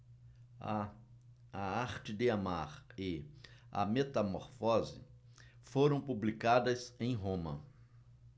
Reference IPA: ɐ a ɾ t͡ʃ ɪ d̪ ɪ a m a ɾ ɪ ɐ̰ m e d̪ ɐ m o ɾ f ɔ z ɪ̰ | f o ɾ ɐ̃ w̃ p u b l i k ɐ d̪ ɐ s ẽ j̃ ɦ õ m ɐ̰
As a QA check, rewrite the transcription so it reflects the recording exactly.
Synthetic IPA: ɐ a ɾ t͡ʃ ɪ d̪ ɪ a m a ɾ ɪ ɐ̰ m e t̪ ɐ m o ɾ f ɔ z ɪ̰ | f o ɾ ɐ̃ w̃ p u b l i k a d̪ ɐ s ẽ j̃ ɦ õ m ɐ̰